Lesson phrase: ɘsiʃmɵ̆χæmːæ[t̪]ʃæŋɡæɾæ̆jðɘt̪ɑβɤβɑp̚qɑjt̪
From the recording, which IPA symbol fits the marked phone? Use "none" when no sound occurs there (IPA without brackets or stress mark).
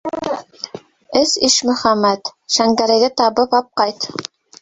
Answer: t̪